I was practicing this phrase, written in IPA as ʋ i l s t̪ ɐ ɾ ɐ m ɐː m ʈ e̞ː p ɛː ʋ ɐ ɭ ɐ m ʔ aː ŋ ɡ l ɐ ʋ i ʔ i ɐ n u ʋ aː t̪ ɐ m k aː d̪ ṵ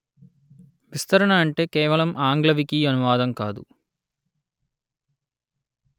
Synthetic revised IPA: ʋ i s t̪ ɐ ɾ ɐ ɳ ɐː ɳ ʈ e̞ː k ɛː ʋ ɐ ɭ ɐ m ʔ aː ŋ ɡ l ɐ ʋ i k i ɐ n u ʋ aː d̪ ɐ m k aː d̪ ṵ

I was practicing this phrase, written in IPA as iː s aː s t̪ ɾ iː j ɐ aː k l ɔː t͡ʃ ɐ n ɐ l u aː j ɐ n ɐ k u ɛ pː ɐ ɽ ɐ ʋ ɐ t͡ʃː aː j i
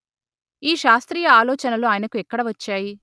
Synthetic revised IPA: iː ʃ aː s t̪ ɾ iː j ɐ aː l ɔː t͡ʃ ɐ n ɐ l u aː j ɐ n ɐ k u ɛ kː ɐ ɽ ɐ ʋ ɐ t͡ʃː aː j i

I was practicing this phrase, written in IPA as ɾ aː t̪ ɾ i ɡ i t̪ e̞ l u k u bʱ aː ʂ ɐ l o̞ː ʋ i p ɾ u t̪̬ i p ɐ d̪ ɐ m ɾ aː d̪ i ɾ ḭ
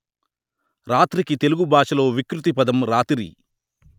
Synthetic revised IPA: ɾ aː t̪ ɾ i k i t̪ e̞ l u ɡ u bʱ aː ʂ ɐ l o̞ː ʋ i k ɾ u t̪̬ i p ɐ d̪ ɐ m ɾ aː t̪ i ɾ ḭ

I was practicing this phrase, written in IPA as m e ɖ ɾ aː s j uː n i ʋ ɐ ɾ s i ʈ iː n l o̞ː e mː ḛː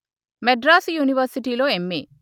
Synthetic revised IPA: m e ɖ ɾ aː s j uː n i ʋ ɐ ɾ s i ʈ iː l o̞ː e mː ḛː

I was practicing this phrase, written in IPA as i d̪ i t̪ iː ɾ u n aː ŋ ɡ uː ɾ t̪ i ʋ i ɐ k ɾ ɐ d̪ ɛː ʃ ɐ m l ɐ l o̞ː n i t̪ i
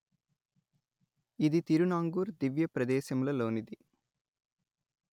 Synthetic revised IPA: i d̪ i t̪ i ɾ u n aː ŋ ɡ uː ɾ d̪ i ʋ j ɐ p ɾ ɐ d̪ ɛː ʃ ɐ m l ɐ l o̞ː n i d̪ i

